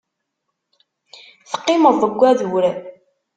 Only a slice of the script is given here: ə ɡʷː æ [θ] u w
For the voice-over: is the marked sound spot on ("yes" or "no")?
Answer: no